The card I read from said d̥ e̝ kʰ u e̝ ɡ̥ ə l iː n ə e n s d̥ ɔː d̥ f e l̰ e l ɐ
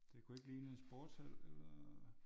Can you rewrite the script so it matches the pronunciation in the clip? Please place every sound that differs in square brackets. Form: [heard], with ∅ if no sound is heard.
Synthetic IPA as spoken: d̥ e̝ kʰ u e̝ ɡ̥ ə l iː n ə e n s [b̥] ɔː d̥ [s] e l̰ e l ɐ